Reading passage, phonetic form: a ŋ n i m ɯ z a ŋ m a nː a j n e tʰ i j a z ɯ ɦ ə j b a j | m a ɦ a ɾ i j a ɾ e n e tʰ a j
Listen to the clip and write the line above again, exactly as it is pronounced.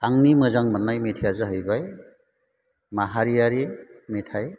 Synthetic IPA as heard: a ŋ n i m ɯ z a ŋ m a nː a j m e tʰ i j a z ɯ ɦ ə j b a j | m a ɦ a ɾ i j a ɾ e m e tʰ a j